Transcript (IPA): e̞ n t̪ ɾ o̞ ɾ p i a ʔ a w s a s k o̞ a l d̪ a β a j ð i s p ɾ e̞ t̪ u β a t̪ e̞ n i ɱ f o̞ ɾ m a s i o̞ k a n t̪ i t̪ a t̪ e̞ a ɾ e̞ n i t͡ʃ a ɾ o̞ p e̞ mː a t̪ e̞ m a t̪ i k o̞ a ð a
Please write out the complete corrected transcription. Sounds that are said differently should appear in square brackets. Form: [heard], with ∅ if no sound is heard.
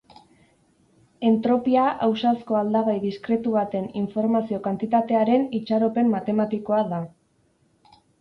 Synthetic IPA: e̞ n t̪ ɾ o̞ [∅] p i a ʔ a w s a s k o̞ a l d̪ a β a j ð i s [k] ɾ e̞ t̪ u β a t̪ e̞ n i ɱ f o̞ ɾ m a s i o̞ k a n t̪ i t̪ a t̪ e̞ a ɾ e̞ n i t͡ʃ a ɾ o̞ p e̞ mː a t̪ e̞ m a t̪ i k o̞ a ð a